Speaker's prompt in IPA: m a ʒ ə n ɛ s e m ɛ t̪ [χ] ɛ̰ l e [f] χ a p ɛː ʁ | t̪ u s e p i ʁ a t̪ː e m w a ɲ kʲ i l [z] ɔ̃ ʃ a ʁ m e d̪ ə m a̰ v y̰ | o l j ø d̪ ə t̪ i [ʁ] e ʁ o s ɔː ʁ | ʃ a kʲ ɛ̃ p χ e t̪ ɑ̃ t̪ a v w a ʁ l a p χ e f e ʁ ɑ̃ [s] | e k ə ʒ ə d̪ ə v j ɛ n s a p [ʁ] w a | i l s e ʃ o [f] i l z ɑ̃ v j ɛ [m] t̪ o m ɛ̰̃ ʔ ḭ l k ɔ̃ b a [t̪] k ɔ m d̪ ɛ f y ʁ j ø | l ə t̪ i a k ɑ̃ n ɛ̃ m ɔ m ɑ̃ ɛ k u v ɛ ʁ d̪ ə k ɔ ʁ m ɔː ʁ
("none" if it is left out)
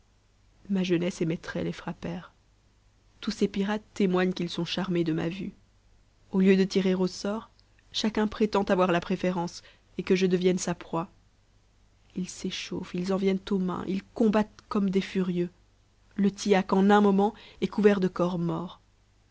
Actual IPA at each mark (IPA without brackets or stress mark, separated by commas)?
χ, f, s, ʁ, s, χ, f, n, t̪